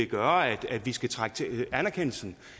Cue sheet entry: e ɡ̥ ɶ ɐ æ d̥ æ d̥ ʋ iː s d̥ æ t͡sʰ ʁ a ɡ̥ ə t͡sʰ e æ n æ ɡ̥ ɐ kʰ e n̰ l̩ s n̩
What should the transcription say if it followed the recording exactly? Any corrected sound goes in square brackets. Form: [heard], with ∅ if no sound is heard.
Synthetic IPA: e ɡ̥ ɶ ɐ æ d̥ æ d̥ ʋ [i] s [ɡ̥] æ t͡sʰ ʁ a ɡ̥ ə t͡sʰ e æ n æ [∅] ɐ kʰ e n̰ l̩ s n̩